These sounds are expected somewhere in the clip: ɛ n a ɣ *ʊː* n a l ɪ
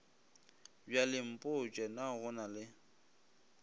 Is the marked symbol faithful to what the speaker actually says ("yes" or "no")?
no